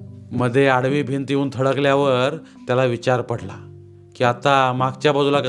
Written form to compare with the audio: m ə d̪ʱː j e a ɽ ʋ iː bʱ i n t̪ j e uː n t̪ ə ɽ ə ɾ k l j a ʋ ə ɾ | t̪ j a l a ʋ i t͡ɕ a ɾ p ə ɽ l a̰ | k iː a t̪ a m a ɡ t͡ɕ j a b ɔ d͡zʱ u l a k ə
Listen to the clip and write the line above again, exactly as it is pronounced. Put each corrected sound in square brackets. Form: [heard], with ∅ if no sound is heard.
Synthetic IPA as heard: m ə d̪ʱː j e a ɽ ʋ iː bʱ i n t̪ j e uː n [t̪ʰ] ə ɽ ə [∅] k l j a ʋ ə ɾ | t̪ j a l a ʋ i t͡ɕ a ɾ p ə ɽ l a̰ | k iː a t̪ a m a ɡ t͡ɕ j a b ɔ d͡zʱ u l a k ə